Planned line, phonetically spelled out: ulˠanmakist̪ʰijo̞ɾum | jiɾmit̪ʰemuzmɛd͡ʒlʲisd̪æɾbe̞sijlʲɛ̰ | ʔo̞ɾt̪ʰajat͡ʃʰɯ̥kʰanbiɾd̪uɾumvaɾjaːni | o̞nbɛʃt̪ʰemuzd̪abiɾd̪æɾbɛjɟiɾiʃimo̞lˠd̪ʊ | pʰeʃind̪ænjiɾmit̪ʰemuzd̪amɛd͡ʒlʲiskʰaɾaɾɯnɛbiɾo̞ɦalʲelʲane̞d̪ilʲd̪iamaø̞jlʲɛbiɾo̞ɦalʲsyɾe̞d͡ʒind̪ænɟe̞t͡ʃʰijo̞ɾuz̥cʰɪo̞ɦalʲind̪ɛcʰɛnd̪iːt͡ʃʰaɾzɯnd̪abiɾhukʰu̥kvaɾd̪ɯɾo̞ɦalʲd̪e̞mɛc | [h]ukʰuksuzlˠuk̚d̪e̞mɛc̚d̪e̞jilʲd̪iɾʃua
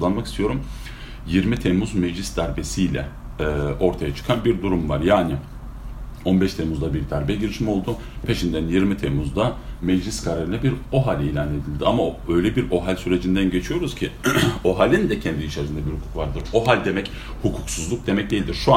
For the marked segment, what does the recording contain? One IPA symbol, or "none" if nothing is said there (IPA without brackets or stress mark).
h